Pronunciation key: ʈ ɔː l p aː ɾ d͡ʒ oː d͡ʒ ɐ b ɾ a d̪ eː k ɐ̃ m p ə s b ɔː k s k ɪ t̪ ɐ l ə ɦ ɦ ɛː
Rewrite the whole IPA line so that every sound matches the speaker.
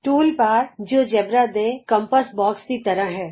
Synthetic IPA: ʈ uː l p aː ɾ d͡ʒ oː d͡ʒ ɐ b ɾ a d̪ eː k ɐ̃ m p ə s b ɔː k s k i t̪ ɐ ɾ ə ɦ ɦ ɛː